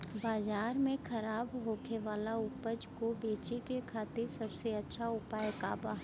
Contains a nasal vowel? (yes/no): yes